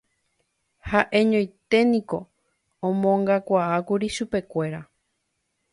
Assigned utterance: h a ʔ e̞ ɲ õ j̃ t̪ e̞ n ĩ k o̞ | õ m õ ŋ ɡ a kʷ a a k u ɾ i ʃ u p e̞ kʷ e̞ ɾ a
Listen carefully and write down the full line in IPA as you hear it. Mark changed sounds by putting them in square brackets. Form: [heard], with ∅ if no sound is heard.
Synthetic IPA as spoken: h a ʔ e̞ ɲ õ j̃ t̪ e̞ n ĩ k o̞ | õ m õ ŋ ɡ a kʷ a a k u ɾ i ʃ u p e̞ kʷ e̞ ɾ a